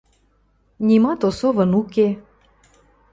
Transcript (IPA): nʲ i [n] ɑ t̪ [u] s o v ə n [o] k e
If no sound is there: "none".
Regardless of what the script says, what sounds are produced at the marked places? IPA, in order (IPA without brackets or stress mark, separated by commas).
m, o, u